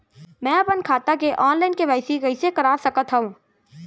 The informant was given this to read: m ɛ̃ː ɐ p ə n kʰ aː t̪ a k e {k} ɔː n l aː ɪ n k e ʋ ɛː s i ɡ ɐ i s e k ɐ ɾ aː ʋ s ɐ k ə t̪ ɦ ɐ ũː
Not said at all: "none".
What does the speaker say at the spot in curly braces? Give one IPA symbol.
ʔ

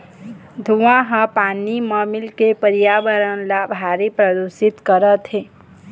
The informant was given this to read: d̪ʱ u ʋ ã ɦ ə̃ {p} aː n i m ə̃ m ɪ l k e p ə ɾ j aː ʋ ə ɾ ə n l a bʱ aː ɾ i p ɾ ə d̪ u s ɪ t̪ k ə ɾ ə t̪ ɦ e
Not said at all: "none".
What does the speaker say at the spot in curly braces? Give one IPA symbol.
p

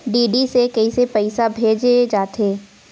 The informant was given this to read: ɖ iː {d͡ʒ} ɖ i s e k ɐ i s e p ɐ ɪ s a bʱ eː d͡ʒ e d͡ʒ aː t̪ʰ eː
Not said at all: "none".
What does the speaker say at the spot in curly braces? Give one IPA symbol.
none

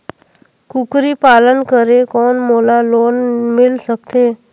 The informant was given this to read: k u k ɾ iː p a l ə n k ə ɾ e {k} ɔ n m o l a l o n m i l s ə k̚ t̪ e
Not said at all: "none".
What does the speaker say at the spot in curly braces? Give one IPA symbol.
k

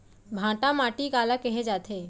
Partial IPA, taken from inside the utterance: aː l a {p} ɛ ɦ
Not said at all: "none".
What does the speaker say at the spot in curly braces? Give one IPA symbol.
k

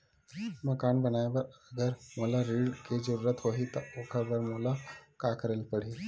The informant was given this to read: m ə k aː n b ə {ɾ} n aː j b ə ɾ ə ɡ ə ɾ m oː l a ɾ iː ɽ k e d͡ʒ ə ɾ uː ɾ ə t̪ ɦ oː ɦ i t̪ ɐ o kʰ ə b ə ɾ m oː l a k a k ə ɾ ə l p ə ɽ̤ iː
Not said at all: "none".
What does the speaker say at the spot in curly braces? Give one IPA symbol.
none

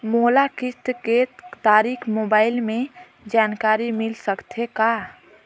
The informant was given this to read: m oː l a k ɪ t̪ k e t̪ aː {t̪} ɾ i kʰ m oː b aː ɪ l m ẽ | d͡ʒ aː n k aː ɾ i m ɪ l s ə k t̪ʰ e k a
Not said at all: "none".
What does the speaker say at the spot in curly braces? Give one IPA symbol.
none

